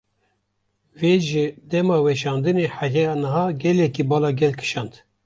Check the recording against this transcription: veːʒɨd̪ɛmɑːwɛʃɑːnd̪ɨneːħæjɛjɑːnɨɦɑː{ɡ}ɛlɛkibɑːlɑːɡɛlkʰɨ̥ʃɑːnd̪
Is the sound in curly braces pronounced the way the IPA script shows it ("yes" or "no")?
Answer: yes